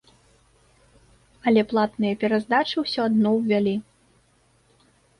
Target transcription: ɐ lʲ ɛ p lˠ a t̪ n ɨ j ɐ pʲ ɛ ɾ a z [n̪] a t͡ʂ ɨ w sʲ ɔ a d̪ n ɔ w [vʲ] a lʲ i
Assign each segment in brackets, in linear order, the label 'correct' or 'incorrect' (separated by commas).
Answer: incorrect, correct